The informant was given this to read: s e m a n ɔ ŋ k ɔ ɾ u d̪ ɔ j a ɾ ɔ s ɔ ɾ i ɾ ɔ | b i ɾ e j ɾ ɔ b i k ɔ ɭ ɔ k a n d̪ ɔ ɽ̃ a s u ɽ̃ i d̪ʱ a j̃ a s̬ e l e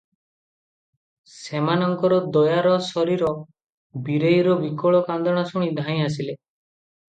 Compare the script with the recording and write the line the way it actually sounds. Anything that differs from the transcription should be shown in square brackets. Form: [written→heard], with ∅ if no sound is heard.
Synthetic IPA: s e m a n ɔ ŋ k ɔ ɾ [u→ɔ] d̪ ɔ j a ɾ ɔ s ɔ ɾ i ɾ ɔ | b i ɾ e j ɾ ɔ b i k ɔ ɭ ɔ k a n d̪ ɔ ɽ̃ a s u ɽ̃ i d̪ʱ a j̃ a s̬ [e→i] l e